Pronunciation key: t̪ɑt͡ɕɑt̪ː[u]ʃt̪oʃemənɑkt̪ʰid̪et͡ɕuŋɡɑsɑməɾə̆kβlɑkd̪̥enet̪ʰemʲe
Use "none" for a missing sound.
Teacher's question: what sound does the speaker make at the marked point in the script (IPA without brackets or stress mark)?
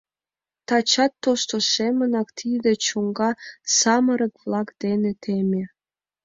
o